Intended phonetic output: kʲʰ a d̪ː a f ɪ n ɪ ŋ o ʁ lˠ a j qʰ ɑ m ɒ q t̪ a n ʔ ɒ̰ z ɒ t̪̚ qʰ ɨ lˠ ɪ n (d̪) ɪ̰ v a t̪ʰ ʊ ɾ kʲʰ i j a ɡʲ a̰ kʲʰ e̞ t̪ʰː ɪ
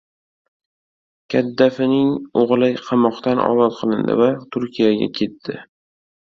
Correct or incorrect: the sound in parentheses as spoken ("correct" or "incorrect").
correct